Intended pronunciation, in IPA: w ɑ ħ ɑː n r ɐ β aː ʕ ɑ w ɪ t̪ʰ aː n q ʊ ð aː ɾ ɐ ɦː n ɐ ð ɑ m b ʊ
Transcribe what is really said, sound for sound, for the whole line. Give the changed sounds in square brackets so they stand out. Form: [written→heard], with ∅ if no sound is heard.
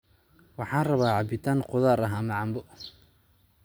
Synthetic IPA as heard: w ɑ ħ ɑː n r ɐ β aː ʕ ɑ [w→b] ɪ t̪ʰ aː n q ʊ ð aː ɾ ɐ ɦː [n→m] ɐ [ð→ʕ] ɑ m b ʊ